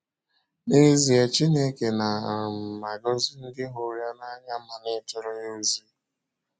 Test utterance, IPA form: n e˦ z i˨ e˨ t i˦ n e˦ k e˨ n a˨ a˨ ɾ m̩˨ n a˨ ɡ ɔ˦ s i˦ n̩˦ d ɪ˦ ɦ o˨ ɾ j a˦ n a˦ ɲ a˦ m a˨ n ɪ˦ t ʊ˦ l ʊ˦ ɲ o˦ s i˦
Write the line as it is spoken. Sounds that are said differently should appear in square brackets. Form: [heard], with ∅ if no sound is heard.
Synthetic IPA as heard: n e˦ z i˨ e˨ [t͡ʃ] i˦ n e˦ k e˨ n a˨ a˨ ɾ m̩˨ [m] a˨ ɡ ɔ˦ [z] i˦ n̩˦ d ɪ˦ ɦ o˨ ɾ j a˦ n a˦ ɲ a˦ m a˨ n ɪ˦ t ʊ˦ [ɾ] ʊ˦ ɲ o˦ [z] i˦

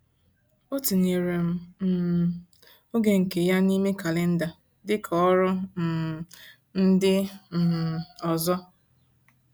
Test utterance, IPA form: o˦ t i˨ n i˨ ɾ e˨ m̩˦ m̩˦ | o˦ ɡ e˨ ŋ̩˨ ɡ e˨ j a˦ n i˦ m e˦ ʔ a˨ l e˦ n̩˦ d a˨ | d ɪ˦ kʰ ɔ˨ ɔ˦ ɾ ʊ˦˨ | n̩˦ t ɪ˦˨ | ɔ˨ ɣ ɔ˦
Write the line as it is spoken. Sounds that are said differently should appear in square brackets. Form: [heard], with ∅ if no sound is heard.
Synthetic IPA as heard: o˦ t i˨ n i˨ ɾ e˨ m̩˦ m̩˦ | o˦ ɡ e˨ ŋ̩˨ [k] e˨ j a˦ n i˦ m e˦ [k] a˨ l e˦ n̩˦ d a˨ | d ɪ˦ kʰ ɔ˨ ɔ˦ ɾ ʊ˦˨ | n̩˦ [d] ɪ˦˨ | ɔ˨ [z] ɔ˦

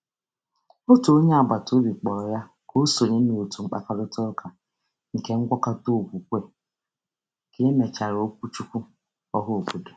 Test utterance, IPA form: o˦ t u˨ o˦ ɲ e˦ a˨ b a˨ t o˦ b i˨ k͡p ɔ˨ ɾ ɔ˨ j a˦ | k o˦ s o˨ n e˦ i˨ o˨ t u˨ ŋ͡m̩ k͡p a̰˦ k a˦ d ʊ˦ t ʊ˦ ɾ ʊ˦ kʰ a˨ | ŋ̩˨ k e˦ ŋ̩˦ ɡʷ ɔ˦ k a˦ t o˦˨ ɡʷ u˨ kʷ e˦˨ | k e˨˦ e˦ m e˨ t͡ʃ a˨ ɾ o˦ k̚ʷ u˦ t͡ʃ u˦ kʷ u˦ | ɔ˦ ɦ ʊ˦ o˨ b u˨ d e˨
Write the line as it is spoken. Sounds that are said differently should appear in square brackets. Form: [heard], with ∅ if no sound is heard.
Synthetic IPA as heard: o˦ t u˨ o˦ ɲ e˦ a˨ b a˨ t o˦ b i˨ k͡p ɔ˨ ɾ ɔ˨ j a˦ | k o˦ s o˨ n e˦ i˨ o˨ t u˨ ŋ͡m̩ k͡p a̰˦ k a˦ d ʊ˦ t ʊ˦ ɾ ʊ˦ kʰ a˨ | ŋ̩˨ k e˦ ŋ̩˦ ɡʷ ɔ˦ k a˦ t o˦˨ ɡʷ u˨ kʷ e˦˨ | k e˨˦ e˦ m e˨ t͡ʃ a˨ ɾ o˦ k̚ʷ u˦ t͡ʃ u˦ kʷ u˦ | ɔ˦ ɦ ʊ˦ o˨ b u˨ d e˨

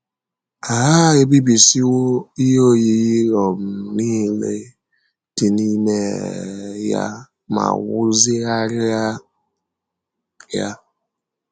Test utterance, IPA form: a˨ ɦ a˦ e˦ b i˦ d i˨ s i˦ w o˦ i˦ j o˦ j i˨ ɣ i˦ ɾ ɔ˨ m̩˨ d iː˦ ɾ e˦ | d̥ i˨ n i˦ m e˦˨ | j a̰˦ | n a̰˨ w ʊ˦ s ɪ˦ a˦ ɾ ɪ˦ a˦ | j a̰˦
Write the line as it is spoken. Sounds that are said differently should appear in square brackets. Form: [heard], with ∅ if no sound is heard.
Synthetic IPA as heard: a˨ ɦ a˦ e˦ b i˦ [b] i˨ s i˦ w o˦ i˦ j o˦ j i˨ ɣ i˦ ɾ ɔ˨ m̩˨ [n] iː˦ [l] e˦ | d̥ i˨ n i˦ m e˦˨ | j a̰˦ | [m] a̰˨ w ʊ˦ [z] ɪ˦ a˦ ɾ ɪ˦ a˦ | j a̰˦

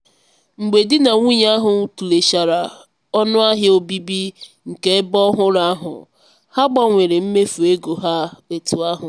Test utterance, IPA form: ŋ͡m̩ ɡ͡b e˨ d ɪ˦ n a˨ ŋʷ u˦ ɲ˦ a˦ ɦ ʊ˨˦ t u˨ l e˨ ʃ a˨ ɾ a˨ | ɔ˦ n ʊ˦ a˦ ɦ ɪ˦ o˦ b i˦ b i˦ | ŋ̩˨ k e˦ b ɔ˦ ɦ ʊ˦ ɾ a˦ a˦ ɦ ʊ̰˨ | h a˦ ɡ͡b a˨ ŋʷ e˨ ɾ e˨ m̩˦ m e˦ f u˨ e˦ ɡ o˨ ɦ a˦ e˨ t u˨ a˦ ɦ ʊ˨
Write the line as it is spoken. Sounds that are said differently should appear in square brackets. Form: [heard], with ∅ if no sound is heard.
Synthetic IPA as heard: ŋ͡m̩ ɡ͡b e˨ d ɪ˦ n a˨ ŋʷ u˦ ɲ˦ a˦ ɦ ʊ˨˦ t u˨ l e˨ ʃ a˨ ɾ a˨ | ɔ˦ n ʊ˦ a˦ ɦ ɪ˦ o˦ b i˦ b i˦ | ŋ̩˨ k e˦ b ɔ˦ ɦ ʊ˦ ɾ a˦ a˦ ɦ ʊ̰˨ | h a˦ ɡ͡b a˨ ŋʷ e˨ ɾ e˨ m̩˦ m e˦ f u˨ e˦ ɡ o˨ ɦ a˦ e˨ t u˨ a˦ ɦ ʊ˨

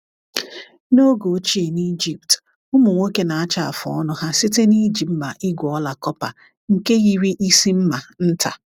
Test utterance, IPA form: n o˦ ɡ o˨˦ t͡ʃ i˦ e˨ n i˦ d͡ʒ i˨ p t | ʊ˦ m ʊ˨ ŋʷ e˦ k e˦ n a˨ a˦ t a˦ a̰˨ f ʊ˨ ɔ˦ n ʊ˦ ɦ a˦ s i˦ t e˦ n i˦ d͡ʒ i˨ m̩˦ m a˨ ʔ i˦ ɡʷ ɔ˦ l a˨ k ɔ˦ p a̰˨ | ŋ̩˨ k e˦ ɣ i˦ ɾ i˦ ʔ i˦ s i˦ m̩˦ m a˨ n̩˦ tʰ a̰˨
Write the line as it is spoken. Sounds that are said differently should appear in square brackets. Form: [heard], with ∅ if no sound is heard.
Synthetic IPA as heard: n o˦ ɡ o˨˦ t͡ʃ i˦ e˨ n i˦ d͡ʒ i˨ p t | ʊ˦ m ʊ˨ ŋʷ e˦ k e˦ n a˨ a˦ [t͡ʃ] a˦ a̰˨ f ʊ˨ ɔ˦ n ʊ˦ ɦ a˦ s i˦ t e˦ n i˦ d͡ʒ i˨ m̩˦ m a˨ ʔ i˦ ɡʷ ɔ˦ l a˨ k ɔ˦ p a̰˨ | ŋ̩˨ k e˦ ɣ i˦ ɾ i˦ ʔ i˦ s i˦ m̩˦ m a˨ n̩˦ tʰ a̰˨

